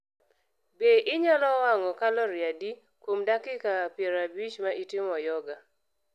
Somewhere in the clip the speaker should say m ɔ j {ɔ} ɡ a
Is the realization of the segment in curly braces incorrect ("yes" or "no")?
no